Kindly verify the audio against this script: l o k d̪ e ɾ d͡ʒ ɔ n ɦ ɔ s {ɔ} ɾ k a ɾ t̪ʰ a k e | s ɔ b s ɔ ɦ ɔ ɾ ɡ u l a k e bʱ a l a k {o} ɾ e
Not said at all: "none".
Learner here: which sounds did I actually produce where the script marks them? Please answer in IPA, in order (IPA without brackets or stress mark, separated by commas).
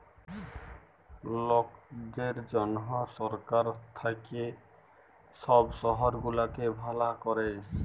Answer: ɔ, ɔ